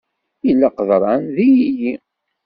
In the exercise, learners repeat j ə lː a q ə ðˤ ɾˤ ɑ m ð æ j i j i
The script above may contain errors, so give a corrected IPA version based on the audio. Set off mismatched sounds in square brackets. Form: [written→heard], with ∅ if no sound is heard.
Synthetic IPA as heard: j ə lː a q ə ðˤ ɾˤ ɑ [m→n] ð [æ→i] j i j i

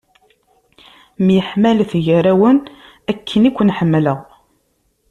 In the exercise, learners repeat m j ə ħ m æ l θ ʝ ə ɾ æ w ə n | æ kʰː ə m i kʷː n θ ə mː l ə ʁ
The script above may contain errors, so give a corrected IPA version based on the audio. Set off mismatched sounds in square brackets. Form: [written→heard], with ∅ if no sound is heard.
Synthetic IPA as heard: m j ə ħ m æ l θ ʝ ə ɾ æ w ə n | æ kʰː ə [m→n] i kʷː n [θ→ħ] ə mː l ə ʁ

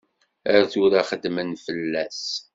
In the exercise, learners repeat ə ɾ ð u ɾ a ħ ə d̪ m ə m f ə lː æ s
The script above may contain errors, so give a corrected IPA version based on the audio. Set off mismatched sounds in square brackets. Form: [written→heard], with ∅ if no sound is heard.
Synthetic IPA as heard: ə ɾ [ð→θ] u ɾ a [ħ→χ] ə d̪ m ə [m→n] f ə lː æ s

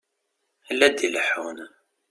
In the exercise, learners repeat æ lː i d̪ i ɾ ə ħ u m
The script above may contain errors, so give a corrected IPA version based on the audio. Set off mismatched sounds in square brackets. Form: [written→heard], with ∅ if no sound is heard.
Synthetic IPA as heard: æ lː [i→æ] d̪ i [ɾ→l] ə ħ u [m→n]

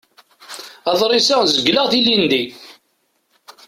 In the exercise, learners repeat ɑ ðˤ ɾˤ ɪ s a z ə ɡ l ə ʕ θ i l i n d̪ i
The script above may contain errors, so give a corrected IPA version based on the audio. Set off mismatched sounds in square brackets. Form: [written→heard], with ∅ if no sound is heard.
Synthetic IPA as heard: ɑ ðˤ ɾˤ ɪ s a z ə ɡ l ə [ʕ→ʁ] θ i l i n d̪ i

